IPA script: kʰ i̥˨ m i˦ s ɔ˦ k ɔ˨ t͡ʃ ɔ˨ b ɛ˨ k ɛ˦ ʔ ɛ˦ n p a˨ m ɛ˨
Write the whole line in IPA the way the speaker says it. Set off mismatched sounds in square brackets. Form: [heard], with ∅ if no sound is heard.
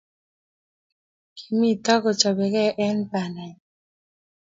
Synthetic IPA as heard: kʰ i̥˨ m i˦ [t] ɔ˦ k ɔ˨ t͡ʃ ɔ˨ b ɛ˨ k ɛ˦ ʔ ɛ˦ n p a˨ [n] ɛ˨